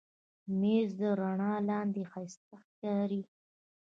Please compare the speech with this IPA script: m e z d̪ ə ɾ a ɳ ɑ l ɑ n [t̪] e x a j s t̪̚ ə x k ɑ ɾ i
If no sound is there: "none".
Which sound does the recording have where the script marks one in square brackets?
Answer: d̪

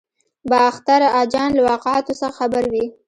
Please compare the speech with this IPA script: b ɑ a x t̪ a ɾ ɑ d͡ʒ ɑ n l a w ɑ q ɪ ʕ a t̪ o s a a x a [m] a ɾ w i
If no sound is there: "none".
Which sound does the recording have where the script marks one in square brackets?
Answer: b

